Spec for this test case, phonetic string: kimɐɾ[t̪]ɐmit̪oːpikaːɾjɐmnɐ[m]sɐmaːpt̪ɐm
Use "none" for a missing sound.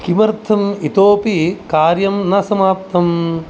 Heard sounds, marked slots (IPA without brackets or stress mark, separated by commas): t̪ʰ, none